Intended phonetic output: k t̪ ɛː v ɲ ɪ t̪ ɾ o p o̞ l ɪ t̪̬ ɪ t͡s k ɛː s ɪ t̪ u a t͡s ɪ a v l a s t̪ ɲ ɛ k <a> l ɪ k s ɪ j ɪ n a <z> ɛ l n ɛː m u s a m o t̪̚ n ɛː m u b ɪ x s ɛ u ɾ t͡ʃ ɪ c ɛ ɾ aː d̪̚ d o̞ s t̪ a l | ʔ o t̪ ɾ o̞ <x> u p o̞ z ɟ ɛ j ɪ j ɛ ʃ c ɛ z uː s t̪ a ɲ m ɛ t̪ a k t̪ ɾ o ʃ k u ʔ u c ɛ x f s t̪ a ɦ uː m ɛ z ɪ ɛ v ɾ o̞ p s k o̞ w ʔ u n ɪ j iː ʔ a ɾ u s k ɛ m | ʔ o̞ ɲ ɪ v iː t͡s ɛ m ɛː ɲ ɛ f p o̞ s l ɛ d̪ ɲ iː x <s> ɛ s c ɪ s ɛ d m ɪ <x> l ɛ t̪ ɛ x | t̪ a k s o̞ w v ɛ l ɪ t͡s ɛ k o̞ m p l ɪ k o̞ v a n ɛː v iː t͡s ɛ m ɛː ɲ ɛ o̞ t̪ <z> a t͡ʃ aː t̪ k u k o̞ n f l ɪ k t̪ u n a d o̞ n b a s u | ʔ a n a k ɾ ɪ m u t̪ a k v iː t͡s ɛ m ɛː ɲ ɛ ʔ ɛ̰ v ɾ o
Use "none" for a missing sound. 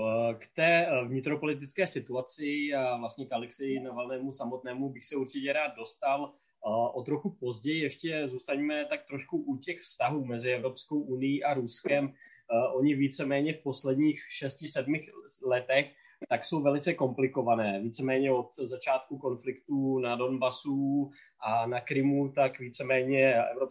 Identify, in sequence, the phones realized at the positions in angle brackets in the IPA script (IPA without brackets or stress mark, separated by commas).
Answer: a, v, x, ʃ, x, z